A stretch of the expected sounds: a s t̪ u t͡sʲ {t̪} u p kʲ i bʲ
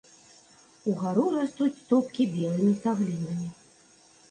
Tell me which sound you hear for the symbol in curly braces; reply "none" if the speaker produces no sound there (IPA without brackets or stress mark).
t̪